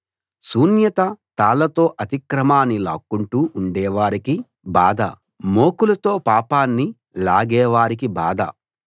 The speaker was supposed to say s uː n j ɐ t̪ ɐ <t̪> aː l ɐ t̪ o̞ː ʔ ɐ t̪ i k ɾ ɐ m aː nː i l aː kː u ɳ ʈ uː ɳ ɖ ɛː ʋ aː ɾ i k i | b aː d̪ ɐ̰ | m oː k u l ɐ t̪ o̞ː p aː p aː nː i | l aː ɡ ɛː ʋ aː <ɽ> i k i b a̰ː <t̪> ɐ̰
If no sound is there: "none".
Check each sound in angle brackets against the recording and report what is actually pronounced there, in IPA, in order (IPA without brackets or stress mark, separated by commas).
t̪, ɾ, d̪